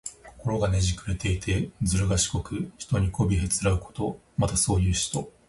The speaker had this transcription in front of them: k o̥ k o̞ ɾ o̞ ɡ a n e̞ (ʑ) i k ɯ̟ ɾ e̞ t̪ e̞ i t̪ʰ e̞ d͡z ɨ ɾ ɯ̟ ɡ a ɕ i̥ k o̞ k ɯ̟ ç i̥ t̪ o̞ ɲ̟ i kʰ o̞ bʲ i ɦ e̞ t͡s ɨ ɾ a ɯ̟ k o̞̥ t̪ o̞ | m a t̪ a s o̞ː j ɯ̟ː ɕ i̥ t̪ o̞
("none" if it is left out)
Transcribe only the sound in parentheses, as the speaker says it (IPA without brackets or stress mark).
ʑ